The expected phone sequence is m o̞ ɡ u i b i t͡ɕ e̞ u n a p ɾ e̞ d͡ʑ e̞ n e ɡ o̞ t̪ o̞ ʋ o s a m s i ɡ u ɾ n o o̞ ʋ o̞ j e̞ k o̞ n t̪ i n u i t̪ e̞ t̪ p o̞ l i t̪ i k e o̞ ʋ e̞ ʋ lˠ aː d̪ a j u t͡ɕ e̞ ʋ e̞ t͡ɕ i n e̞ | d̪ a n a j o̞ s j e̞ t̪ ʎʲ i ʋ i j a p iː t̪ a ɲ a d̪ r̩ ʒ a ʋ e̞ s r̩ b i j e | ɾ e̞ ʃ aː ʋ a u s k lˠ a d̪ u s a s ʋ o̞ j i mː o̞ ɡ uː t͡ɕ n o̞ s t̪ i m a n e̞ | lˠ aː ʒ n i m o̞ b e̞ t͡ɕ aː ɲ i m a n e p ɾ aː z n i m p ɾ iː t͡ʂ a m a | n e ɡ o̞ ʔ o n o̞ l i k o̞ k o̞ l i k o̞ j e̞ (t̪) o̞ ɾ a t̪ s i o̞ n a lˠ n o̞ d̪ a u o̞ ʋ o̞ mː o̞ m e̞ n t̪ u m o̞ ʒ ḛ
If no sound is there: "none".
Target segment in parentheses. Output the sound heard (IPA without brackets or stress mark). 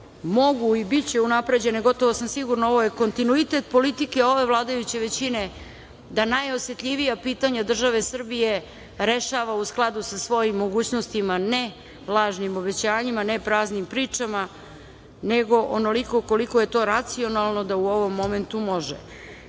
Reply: t̪